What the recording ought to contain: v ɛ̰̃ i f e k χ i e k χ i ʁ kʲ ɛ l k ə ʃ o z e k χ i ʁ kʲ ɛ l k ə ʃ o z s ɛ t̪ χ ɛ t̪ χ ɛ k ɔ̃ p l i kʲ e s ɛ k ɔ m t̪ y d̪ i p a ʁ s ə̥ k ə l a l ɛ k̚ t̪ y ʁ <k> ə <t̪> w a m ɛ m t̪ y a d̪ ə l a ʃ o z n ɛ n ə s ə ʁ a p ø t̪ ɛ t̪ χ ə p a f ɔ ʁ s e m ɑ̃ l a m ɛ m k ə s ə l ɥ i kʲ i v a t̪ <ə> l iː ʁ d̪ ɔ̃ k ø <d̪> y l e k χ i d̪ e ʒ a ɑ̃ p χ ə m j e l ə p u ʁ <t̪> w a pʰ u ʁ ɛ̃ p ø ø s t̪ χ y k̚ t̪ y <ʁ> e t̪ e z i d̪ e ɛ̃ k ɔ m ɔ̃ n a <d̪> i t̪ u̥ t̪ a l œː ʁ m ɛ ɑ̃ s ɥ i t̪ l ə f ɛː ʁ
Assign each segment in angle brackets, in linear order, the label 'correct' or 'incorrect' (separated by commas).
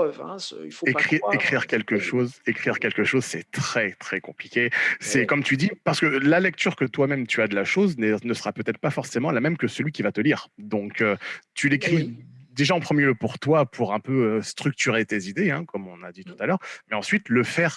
correct, correct, correct, incorrect, correct, correct, correct